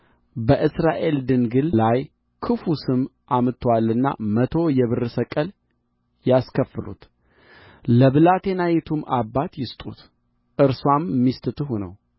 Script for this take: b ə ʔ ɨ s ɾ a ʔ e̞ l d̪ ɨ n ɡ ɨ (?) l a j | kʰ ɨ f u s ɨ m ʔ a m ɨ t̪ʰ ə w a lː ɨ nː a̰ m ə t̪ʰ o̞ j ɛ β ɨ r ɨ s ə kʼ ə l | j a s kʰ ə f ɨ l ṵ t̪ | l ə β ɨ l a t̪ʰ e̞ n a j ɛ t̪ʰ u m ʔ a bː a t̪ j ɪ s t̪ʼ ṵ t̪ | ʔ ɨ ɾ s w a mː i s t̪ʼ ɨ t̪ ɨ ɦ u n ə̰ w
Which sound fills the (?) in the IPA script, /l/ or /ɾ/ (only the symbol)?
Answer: l